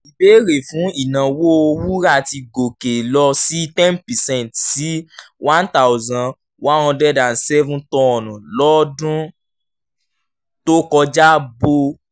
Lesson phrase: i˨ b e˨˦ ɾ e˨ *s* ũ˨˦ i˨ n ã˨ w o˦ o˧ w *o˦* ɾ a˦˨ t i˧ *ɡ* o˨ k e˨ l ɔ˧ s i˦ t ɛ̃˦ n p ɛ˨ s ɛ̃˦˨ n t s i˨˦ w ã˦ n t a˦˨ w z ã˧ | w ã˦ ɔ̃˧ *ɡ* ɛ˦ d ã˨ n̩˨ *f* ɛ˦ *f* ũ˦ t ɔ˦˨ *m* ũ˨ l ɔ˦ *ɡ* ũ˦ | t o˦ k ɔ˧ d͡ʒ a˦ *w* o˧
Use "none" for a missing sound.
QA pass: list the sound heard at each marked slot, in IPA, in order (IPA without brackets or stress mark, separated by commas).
f, u˦, ɡ, d, s, v, n, d, b